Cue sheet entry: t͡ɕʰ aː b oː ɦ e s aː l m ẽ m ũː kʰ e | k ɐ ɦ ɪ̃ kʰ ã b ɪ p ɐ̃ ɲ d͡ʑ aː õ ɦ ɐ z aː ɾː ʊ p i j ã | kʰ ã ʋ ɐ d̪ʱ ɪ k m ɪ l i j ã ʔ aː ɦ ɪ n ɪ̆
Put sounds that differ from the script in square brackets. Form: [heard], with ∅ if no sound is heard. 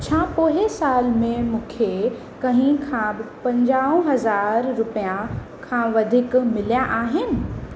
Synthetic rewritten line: t͡ɕʰ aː [p] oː ɦ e s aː l m ẽ m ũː kʰ e | k ɐ ɦ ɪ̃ kʰ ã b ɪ p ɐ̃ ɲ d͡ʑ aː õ ɦ ɐ z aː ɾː ʊ p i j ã | kʰ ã ʋ ɐ d̪ʱ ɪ k m ɪ l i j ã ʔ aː ɦ ɪ n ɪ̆